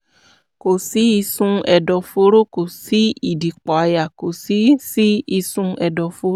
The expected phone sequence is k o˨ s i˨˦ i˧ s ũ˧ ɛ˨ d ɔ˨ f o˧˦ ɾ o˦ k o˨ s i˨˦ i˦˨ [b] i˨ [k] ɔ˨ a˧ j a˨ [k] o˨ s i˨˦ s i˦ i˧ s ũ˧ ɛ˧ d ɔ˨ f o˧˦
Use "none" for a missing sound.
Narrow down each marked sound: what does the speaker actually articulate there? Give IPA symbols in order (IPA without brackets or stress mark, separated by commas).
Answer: d, k͡p, k